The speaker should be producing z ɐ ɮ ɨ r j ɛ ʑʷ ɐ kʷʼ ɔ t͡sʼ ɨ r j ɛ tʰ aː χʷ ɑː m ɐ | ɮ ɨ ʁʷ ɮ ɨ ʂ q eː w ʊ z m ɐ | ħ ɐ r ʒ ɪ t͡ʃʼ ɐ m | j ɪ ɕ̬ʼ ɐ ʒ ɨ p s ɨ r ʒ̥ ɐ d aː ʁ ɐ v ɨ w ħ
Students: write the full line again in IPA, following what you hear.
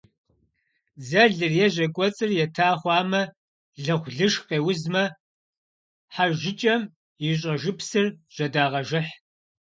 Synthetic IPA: z ɐ ɮ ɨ r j ɛ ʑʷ ɐ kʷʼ ɔ t͡sʼ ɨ r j ɛ tʰ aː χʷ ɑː m ɐ | ɮ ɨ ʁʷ ɮ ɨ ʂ q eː w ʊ z m ɐ | ħ a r ʒ ɪ t͡ʃʼ ɐ m | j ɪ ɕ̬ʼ ɐ ʒ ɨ p s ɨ r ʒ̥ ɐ d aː ʁ ɐ ʒ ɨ ħ

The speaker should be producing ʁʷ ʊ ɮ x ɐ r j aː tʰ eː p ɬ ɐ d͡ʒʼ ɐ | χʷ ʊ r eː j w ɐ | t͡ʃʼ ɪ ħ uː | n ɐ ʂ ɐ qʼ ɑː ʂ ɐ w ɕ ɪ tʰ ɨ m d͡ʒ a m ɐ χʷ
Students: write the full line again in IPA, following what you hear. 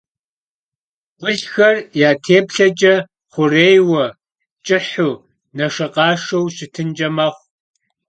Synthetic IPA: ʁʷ ʊ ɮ x ɐ r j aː tʰ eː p ɬ ɐ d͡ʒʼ ɐ | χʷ ʊ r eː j w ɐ | t͡ʃʼ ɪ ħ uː | n ɐ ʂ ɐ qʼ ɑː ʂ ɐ w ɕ ɪ tʰ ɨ n d͡ʒ ɐ m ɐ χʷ

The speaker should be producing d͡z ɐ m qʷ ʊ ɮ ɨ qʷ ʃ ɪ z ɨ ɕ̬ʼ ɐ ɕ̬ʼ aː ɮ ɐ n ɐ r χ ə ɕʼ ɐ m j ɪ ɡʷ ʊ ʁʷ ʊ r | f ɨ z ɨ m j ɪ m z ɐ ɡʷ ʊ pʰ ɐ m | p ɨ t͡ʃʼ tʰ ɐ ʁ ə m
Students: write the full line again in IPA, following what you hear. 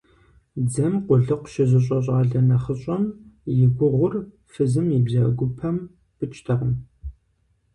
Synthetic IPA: d͡z ɐ m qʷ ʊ ɮ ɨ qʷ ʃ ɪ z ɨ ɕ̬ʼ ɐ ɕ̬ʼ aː ɮ ɐ n ɐ χ ə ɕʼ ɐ m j ɪ ɡʷ ʊ ʁʷ ʊ r | f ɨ z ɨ m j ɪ b z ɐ ɡʷ ʊ pʰ ɐ m | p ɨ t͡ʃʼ tʰ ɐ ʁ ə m

